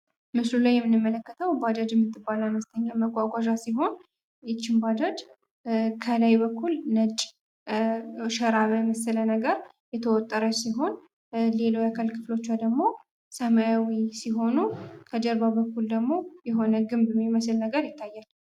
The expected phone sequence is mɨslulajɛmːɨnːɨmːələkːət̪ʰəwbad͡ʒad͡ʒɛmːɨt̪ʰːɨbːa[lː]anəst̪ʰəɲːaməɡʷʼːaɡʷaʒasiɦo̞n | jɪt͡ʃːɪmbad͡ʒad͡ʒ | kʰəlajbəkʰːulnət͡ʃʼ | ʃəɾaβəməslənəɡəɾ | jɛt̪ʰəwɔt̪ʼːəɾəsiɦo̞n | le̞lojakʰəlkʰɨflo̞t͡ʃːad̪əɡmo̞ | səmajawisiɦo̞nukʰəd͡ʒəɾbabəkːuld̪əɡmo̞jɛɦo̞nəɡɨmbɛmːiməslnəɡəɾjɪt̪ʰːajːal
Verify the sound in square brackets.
incorrect: l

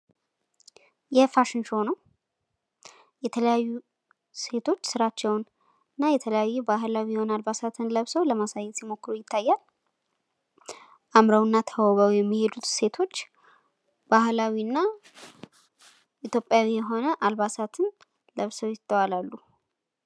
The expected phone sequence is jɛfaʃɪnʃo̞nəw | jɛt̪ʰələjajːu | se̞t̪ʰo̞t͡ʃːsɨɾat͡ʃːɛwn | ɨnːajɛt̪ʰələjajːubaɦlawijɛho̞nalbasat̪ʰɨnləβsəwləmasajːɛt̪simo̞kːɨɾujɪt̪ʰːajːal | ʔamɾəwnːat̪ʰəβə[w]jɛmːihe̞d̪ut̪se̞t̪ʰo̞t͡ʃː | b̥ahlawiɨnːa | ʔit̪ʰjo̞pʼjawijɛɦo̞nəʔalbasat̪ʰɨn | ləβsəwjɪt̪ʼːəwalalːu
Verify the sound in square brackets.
correct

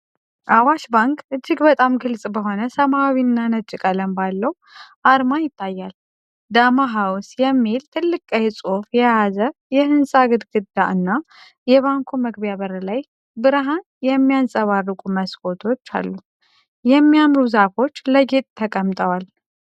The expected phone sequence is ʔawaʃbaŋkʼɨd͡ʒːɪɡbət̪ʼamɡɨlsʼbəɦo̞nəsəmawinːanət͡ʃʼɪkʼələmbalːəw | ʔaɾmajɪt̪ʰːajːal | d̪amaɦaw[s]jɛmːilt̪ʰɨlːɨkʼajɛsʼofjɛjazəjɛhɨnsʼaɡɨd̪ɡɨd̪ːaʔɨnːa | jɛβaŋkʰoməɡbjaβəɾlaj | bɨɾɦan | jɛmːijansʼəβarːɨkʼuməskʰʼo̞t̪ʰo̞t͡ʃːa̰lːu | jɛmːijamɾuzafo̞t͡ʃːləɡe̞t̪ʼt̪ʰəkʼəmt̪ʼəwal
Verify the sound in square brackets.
correct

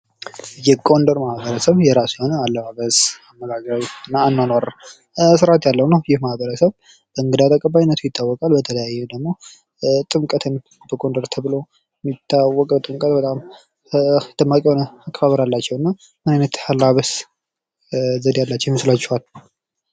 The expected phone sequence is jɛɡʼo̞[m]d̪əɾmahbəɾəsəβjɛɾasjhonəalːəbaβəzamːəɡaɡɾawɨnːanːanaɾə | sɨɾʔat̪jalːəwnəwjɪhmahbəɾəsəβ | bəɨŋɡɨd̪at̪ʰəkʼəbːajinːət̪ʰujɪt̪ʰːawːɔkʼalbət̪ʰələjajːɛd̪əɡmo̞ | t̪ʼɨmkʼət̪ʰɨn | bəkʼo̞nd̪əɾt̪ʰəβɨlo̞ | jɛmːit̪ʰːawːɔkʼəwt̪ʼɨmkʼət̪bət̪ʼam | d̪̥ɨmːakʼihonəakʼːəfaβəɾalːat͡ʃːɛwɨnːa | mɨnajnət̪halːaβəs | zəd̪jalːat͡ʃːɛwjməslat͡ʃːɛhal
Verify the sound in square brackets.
incorrect: n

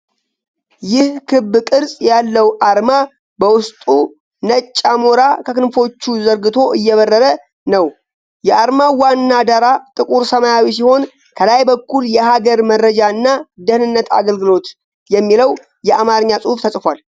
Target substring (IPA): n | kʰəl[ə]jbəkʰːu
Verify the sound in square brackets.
incorrect: a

